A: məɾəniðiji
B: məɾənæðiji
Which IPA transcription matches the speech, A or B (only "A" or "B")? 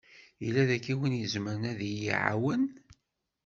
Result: B